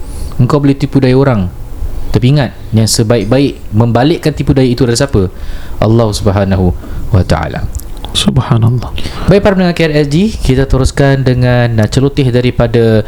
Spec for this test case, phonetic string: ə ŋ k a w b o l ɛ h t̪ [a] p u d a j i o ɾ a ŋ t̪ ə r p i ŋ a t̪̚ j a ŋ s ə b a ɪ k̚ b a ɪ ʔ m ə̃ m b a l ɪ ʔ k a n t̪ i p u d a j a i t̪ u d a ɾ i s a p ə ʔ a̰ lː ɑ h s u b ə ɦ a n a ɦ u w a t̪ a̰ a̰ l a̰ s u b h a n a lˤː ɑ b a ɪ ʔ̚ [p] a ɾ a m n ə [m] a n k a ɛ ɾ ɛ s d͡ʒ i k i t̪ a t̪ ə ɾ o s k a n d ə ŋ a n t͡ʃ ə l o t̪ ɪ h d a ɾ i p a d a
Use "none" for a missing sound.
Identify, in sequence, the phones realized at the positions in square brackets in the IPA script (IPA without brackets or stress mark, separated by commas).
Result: i, p, ŋ